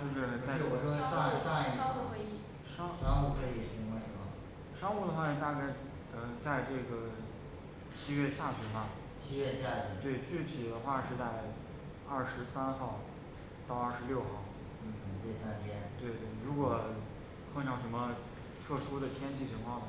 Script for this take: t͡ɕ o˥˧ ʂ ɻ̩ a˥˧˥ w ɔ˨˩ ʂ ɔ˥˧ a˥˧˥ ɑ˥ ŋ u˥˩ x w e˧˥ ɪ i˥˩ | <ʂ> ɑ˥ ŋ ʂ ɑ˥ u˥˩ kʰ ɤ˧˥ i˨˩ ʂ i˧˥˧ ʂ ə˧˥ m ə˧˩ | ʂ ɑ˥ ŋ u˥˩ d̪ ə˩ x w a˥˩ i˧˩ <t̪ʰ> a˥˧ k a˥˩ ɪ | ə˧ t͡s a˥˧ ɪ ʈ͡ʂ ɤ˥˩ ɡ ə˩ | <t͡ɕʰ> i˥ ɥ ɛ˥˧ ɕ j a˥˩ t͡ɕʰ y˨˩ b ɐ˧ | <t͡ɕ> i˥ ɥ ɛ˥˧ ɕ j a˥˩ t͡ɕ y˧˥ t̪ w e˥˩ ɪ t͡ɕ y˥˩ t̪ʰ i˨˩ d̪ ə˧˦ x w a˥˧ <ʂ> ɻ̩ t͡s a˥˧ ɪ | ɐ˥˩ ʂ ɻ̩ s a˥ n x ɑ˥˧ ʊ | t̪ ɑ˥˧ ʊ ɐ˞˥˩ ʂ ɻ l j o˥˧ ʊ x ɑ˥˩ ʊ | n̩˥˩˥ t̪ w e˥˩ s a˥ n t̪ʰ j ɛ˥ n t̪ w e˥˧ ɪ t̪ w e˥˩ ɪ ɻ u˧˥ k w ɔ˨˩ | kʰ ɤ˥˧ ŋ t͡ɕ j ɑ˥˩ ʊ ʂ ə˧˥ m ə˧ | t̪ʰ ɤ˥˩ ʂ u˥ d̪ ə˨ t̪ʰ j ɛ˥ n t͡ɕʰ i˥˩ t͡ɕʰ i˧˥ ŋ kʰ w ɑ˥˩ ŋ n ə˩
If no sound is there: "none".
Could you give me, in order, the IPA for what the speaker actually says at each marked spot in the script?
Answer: ʂ, t̪, t͡ɕʰ, t͡ɕʰ, ʂ

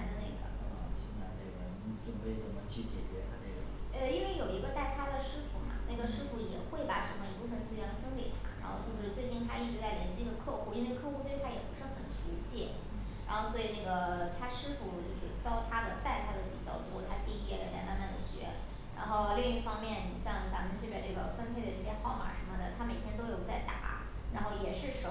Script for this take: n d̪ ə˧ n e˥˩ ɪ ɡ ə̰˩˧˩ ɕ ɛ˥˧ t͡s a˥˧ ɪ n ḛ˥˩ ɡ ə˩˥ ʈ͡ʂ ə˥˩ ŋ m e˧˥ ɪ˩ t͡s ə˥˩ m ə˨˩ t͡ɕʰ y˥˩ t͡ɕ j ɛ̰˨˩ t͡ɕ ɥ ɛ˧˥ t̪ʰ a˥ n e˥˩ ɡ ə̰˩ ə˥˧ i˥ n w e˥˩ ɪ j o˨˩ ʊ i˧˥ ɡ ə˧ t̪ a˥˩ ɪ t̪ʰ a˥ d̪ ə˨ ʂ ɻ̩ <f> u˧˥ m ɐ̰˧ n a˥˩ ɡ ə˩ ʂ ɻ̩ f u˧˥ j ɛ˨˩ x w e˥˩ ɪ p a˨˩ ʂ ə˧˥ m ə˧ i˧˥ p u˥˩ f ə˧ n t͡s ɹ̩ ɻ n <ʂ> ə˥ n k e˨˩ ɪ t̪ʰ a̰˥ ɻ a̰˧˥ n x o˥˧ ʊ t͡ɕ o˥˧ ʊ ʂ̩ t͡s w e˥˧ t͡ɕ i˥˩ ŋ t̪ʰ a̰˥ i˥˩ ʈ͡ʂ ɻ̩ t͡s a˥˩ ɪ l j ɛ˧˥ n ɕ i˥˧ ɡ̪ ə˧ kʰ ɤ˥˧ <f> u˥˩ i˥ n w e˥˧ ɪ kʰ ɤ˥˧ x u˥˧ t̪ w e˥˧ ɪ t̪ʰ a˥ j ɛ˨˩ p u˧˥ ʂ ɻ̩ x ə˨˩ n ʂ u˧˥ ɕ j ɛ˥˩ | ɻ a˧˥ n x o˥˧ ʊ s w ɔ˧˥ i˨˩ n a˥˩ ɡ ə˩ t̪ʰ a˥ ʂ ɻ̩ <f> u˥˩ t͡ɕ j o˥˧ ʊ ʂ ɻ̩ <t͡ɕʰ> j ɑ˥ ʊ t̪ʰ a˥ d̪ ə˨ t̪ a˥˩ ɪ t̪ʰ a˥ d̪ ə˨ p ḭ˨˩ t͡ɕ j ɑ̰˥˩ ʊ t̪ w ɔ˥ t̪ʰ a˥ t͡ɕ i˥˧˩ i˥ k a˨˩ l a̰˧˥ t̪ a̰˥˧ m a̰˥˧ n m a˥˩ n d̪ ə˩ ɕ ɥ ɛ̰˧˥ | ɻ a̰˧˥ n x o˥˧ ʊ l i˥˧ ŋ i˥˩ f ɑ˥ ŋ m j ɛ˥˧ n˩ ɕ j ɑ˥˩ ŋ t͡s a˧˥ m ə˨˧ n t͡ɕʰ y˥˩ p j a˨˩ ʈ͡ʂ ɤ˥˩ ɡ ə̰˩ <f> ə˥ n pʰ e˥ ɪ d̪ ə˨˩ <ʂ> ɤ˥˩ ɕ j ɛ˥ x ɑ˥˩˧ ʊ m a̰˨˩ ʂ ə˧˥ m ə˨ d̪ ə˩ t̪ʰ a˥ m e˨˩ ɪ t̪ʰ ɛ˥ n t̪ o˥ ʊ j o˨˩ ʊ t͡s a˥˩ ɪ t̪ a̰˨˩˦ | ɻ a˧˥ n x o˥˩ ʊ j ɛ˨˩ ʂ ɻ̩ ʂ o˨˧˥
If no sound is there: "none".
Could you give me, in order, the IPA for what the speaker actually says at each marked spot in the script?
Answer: f, f, x, f, t͡ɕ, f, ʈ͡ʂ

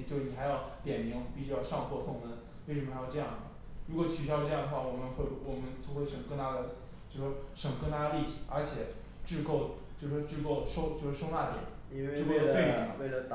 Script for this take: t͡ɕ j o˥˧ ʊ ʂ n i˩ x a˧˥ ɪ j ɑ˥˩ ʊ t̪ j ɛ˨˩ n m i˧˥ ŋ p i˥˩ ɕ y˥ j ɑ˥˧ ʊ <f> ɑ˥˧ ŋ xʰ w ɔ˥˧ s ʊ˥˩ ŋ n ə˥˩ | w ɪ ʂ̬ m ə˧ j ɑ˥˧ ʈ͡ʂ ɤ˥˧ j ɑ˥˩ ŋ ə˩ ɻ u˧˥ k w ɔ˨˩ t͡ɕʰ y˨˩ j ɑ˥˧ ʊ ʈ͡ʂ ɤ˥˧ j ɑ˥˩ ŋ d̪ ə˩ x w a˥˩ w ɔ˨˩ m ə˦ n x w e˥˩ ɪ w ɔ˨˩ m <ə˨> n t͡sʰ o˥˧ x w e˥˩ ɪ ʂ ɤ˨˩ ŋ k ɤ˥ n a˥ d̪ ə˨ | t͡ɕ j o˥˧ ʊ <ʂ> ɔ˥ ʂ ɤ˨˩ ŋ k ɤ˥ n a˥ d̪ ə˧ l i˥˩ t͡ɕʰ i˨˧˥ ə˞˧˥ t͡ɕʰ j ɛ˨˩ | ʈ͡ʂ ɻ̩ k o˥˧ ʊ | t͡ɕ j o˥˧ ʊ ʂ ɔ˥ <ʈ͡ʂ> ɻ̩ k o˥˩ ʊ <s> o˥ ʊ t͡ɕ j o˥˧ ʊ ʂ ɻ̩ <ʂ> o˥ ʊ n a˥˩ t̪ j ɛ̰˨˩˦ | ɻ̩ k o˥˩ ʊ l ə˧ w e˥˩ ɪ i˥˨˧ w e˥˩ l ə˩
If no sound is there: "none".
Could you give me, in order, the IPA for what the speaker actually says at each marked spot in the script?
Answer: ʂ, ə˦, ʂ, ʈ͡ʂ, ʂ, ʂ

